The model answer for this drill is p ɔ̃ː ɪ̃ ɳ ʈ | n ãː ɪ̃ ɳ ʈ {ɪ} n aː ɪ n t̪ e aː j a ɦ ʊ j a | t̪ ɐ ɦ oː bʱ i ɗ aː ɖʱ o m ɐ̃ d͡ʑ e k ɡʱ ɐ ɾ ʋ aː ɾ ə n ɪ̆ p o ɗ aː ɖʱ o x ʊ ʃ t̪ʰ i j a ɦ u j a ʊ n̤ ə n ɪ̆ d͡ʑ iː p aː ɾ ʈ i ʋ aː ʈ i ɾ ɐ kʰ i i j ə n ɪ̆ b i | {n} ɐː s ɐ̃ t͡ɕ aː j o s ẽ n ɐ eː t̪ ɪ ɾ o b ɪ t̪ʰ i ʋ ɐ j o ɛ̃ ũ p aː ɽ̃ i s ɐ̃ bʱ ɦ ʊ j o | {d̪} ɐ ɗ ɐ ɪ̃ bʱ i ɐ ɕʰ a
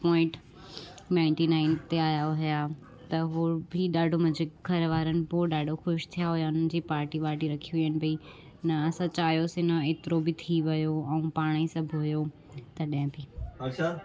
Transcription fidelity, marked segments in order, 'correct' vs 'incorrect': incorrect, correct, incorrect

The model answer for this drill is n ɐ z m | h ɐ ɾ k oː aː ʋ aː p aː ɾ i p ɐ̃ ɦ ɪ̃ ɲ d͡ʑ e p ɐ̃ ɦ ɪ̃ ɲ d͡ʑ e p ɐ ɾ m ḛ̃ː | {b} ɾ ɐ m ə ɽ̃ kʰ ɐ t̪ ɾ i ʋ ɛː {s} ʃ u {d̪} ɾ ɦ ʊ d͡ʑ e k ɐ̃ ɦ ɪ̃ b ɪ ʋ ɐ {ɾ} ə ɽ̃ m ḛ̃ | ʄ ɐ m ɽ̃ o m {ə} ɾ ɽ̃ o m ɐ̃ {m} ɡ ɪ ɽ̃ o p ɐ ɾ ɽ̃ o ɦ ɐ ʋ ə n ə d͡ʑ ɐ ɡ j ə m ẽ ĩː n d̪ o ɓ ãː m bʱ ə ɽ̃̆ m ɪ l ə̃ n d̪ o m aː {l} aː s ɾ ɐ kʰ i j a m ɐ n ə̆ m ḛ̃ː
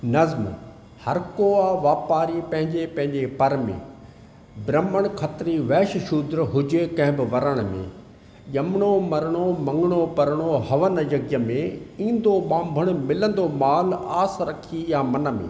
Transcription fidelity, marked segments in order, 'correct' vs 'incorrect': correct, incorrect, correct, correct, incorrect, incorrect, correct

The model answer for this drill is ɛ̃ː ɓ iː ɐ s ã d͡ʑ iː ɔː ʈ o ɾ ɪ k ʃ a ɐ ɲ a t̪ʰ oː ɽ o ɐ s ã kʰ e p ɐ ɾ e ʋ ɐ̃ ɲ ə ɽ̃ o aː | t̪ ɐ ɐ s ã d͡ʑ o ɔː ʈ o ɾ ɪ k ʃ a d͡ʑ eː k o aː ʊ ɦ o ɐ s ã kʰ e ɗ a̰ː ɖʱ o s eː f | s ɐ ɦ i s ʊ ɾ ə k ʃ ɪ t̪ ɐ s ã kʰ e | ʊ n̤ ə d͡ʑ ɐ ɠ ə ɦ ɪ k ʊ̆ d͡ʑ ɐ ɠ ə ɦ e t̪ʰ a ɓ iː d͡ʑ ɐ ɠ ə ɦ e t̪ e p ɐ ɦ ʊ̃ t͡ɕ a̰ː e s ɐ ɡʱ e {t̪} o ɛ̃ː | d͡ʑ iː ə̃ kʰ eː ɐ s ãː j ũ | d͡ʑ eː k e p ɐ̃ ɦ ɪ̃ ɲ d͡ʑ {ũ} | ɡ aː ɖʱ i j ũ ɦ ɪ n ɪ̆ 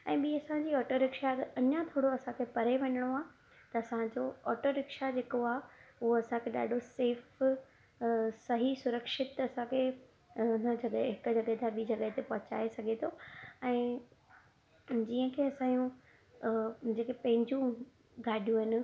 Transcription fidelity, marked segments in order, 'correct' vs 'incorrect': incorrect, correct

